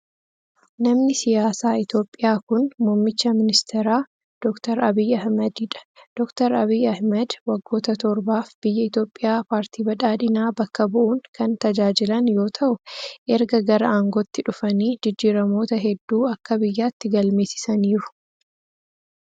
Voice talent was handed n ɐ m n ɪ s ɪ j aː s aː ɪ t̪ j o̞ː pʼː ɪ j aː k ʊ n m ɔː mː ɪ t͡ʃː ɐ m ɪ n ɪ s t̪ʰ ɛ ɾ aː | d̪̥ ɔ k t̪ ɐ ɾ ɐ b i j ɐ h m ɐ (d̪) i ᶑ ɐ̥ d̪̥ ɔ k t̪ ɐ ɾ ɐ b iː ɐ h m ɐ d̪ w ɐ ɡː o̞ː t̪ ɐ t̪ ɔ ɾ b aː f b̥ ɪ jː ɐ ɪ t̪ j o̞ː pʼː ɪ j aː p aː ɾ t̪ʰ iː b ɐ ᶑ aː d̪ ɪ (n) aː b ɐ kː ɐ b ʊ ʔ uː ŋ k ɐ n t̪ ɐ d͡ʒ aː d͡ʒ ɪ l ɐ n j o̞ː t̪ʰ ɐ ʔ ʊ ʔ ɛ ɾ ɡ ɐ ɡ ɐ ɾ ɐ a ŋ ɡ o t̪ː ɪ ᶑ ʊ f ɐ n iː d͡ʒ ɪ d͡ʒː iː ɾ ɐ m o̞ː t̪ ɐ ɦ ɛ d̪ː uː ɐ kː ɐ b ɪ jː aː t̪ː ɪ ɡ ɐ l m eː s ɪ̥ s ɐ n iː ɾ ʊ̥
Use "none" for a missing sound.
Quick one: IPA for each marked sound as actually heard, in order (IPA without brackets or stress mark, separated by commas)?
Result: d̪, n